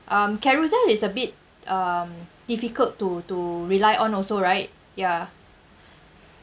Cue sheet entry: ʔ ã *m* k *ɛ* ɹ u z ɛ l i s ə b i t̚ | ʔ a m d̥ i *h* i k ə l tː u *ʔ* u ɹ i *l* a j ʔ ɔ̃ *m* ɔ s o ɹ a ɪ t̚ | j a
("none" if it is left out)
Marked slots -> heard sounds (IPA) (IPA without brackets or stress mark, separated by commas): m, ɛ, f, t, l, n